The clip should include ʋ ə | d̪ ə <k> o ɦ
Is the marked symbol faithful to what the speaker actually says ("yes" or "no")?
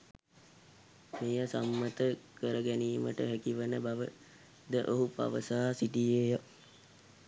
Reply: no